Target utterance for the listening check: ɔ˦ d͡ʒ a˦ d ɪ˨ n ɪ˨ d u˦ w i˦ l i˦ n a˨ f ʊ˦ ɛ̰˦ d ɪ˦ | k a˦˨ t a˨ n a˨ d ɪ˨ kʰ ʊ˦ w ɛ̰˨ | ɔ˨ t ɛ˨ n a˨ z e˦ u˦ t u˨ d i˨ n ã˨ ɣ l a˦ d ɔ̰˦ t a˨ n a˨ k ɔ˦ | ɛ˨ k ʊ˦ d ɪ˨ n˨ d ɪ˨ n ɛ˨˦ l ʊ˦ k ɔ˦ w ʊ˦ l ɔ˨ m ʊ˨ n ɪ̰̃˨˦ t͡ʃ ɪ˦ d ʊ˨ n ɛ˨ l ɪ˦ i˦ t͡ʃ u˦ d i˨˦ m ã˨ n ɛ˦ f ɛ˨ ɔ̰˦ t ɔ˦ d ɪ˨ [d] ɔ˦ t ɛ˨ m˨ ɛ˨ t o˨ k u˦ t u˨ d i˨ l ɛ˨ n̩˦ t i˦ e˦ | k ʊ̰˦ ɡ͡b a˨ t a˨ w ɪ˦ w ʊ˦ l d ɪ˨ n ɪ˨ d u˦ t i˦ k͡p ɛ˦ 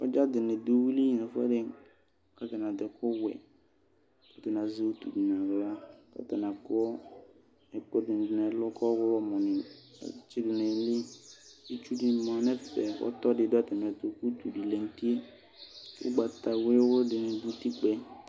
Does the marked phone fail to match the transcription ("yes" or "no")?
no